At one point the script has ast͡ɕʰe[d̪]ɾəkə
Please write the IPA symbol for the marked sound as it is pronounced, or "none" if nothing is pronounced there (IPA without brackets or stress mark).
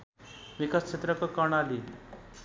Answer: t̪